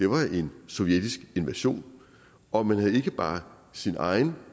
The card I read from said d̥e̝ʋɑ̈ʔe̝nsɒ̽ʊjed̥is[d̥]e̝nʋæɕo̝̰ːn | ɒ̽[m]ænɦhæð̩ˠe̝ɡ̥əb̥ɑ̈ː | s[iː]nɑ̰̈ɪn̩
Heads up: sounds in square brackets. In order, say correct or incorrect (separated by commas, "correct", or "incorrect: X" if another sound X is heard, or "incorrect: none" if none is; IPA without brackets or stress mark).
incorrect: ɡ̥, correct, incorrect: i